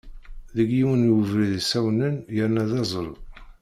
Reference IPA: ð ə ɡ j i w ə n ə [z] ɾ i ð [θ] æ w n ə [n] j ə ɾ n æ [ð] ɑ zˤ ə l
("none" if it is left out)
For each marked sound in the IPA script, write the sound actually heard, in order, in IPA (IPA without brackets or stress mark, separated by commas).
v, s, n, ð